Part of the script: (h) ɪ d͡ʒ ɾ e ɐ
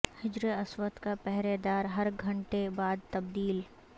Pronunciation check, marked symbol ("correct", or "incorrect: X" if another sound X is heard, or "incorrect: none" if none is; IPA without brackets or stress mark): correct